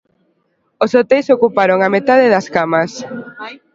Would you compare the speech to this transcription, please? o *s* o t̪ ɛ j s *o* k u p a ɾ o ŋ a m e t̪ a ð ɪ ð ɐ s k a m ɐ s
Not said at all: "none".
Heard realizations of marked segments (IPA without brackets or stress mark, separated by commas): s, o